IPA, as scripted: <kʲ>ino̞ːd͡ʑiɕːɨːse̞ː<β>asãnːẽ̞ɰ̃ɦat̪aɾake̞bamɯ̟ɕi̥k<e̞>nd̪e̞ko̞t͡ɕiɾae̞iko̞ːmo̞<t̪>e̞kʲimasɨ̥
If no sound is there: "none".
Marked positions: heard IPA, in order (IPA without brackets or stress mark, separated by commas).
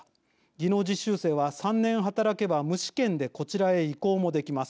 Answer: ɡʲ, β, ẽ̞, d̪